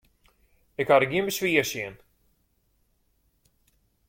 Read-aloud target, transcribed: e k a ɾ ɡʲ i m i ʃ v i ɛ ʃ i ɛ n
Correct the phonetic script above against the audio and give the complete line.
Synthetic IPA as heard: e k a ɾ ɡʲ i m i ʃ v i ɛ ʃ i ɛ n